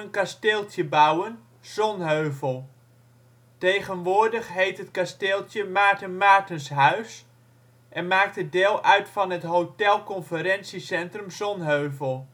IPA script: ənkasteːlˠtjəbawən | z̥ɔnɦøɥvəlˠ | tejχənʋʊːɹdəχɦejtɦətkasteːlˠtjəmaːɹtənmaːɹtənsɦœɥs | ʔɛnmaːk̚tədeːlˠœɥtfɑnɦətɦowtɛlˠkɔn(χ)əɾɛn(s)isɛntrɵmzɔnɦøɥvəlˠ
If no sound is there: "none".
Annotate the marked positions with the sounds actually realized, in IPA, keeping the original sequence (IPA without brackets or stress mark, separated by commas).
f, s